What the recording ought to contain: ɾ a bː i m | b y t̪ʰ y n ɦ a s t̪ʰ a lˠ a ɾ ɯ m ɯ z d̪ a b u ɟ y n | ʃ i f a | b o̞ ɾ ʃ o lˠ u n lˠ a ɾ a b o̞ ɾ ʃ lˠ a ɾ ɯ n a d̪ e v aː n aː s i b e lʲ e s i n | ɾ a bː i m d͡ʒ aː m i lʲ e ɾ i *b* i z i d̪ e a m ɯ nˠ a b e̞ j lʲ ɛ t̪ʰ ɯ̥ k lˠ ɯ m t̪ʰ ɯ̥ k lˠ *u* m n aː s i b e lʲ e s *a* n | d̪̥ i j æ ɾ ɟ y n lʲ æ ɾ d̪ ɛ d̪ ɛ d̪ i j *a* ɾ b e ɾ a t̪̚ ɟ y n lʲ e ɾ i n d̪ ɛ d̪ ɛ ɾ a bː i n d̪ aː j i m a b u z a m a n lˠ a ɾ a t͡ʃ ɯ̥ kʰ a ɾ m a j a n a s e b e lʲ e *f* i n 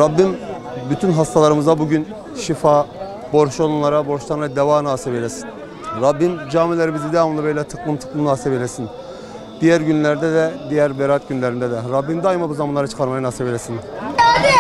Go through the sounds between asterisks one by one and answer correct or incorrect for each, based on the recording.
incorrect, incorrect, incorrect, incorrect, incorrect

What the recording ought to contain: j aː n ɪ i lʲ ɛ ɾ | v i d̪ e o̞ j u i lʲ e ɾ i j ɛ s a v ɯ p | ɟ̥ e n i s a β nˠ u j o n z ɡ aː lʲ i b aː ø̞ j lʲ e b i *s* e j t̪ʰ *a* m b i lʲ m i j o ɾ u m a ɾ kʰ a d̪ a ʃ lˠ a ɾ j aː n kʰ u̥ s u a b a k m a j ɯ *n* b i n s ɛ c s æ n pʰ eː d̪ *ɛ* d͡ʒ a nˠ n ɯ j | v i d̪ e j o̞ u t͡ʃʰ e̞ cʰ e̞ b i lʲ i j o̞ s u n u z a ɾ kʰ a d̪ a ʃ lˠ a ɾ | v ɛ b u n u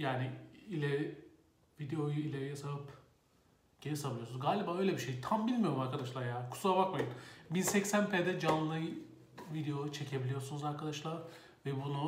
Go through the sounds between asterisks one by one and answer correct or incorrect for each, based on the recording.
incorrect, correct, correct, correct

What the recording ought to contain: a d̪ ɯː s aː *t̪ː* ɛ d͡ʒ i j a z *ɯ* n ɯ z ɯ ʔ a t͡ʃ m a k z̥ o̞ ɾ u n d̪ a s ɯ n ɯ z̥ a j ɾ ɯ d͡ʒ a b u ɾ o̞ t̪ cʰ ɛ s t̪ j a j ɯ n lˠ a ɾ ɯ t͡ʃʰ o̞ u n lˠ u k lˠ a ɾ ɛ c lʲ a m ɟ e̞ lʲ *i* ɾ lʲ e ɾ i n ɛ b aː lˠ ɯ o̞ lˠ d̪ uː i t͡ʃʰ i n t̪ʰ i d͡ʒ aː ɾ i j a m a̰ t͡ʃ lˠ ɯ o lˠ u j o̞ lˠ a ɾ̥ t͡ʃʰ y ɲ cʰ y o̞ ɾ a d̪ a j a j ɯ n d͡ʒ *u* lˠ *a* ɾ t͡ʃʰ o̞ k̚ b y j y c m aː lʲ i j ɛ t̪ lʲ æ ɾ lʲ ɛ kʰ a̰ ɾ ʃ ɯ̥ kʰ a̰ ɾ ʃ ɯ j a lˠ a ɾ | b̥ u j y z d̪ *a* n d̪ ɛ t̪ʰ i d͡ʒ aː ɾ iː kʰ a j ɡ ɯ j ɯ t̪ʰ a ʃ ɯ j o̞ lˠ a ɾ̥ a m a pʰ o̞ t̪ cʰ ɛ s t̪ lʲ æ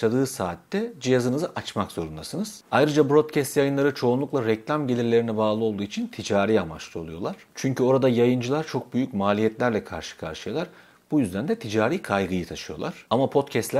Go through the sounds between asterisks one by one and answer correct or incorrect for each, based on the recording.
correct, correct, correct, incorrect, correct, incorrect

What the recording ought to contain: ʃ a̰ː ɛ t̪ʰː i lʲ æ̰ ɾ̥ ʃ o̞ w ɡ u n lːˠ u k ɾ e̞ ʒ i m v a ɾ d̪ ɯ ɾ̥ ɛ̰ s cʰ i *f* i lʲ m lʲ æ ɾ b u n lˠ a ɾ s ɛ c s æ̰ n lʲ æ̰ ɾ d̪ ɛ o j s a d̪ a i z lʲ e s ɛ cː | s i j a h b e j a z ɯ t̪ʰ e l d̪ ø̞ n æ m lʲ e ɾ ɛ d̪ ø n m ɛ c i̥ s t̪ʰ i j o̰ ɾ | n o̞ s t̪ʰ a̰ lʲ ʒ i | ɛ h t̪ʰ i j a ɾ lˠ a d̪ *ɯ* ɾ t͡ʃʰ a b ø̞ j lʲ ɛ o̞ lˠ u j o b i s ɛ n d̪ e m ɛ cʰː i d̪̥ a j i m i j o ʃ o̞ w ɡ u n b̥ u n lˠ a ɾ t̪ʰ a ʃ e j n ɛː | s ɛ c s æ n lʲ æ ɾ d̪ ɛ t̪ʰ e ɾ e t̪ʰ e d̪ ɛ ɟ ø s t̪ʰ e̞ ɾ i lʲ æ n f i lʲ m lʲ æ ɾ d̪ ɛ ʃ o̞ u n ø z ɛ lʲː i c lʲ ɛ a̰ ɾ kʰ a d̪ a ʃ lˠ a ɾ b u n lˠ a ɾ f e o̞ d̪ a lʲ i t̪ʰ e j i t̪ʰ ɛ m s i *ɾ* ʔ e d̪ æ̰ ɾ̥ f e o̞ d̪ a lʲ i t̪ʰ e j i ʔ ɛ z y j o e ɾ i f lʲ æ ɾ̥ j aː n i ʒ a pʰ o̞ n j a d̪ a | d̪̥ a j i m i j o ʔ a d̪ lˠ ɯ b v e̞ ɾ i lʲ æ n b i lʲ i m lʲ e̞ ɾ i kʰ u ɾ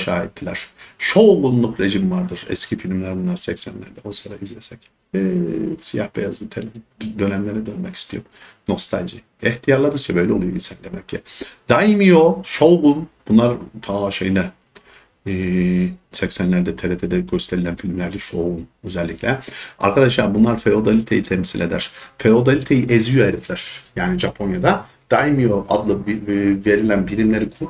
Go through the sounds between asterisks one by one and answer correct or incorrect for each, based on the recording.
correct, correct, incorrect

